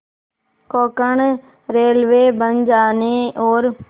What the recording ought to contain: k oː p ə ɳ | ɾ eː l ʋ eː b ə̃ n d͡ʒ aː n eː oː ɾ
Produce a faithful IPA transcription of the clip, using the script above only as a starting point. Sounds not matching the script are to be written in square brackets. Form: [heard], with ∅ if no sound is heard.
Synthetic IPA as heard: k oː [k] ə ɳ | ɾ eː l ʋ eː b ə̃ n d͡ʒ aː n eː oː ɾ